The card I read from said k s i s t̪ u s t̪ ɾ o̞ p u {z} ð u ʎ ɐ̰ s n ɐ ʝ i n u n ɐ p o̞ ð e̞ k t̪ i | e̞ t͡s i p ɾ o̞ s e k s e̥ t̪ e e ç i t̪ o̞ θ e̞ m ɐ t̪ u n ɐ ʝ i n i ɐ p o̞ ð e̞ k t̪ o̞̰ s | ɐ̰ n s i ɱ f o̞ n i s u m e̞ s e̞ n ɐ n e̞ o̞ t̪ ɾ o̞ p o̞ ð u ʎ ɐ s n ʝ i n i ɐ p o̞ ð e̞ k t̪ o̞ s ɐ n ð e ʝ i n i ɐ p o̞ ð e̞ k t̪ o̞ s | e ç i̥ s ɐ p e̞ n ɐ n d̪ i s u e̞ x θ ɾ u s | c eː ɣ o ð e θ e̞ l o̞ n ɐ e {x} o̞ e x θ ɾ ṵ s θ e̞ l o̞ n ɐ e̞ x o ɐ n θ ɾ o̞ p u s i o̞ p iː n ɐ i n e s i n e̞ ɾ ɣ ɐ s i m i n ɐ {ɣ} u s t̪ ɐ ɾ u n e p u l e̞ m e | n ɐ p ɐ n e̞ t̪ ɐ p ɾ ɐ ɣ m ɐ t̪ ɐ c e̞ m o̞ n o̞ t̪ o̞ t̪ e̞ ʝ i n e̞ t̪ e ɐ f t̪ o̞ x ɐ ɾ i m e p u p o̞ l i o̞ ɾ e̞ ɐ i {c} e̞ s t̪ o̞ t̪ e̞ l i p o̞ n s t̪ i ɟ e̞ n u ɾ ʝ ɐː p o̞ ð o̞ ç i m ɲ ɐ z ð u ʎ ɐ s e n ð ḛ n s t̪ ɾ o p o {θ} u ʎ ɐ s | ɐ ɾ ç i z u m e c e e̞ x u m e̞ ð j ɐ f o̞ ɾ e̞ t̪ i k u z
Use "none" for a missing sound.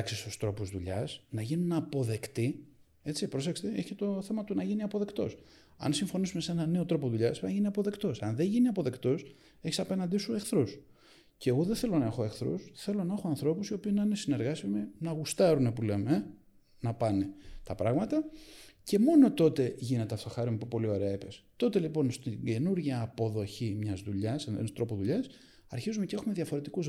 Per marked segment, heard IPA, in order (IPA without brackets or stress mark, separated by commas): z, x, ɣ, p, ð